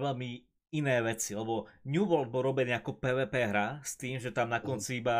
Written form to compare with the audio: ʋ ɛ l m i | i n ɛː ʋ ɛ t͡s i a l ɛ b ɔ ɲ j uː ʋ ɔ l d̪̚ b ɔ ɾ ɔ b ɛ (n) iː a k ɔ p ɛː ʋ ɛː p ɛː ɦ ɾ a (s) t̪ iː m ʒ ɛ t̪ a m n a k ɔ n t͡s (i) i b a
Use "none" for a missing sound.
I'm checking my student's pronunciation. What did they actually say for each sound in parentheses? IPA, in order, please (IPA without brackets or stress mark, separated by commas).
n, s, i